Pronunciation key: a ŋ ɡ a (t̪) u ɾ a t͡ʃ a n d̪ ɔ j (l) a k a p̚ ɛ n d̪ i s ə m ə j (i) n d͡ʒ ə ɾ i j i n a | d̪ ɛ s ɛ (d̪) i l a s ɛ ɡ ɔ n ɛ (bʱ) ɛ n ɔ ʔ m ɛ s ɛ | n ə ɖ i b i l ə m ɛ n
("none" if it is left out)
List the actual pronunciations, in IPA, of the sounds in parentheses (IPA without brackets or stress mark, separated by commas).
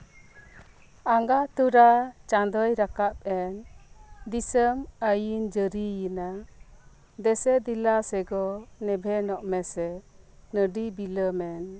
t̪, ɾ, i, d̪, bʱ